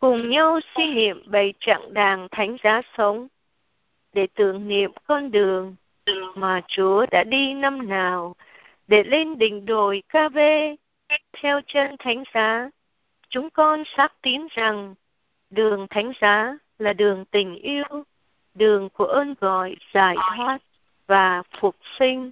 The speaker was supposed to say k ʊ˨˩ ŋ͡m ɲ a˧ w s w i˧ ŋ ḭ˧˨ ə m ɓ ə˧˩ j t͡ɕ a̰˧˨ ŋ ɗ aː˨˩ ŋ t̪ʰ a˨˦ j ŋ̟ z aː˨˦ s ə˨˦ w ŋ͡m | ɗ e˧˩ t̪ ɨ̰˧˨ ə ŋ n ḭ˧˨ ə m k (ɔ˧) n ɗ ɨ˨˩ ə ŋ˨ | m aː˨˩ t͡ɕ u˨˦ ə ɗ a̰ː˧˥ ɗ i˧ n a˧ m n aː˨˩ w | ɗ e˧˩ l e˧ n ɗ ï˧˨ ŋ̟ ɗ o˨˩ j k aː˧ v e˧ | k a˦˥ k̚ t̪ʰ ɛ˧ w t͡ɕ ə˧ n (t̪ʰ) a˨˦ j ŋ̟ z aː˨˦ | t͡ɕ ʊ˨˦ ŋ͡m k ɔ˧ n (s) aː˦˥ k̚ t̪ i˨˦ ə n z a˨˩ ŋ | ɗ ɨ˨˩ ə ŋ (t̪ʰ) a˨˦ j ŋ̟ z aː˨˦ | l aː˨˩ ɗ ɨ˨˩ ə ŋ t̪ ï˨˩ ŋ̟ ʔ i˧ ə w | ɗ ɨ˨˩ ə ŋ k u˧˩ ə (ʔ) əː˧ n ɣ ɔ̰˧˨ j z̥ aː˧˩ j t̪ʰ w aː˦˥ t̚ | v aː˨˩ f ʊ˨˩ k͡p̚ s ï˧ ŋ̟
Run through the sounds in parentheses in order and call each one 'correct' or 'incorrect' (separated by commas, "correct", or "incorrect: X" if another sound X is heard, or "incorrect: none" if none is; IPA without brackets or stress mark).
correct, correct, correct, correct, correct